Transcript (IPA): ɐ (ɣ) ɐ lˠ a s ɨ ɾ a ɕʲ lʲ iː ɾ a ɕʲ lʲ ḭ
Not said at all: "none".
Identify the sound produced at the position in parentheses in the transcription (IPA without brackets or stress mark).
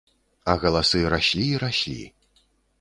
ɣ